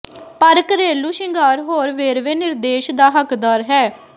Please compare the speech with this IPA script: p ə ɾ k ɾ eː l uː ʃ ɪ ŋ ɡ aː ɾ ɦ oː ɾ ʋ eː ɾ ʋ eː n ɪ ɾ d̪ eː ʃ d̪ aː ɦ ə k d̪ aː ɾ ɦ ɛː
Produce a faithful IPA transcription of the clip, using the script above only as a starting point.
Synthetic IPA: p ə ɾ k ɾ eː l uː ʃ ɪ ŋ ɡ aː ɾ ɦ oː ɾ ʋ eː ɾ ʋ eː n ɪ ɾ d̪ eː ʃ d̪ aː ɦ ə k d̪ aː ɾ ɦ ɛː